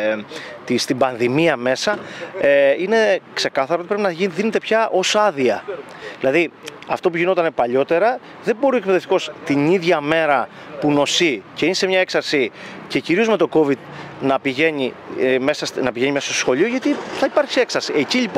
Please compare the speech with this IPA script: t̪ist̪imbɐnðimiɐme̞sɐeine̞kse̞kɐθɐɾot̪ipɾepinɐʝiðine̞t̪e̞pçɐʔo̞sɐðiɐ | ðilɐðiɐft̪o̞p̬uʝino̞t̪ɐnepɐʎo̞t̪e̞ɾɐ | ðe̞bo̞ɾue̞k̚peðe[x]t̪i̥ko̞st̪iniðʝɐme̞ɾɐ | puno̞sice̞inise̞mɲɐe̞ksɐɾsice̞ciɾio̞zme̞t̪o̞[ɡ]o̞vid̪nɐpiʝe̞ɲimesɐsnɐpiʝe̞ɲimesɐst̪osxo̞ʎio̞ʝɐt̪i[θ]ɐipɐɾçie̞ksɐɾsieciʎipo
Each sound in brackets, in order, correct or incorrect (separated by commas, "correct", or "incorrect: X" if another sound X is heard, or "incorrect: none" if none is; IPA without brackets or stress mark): incorrect: f, incorrect: k, correct